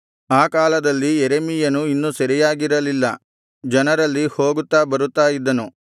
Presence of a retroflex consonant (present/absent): absent